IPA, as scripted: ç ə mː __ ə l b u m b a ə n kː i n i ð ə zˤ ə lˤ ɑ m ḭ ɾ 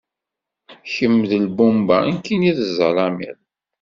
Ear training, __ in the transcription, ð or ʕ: ð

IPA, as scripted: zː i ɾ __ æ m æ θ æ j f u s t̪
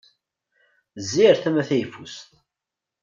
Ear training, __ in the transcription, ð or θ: θ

